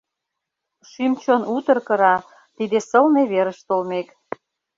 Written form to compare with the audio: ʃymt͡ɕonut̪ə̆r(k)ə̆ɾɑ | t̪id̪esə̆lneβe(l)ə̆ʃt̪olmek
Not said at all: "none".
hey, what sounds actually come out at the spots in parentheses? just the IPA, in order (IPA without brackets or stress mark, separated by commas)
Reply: k, ɾ